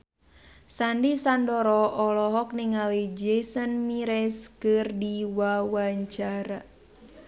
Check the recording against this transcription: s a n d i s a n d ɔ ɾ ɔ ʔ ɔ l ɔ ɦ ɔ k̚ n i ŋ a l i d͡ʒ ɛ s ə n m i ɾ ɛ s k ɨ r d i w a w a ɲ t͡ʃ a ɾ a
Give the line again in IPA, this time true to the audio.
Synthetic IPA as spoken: s a n d i s a n d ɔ ɾ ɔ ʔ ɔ l ɔ ɦ ɔ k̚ n i ŋ a l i d͡ʒ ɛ s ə n m i ɾ ɛ s k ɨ r d i w a w a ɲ t͡ʃ a ɾ a